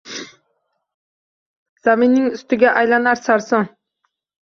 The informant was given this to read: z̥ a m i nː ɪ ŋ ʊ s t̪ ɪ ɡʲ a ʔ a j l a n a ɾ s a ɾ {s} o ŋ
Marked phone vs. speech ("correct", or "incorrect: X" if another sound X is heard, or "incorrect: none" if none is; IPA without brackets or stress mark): correct